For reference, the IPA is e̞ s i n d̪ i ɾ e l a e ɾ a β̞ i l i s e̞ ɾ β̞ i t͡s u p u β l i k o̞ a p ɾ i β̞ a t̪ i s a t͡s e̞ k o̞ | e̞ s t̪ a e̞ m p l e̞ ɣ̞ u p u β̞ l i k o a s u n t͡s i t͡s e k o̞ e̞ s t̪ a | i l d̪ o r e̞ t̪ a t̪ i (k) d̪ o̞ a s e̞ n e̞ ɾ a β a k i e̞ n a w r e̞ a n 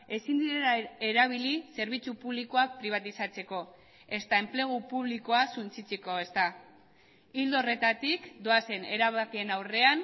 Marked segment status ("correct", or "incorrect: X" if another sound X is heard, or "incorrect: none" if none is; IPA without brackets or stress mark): correct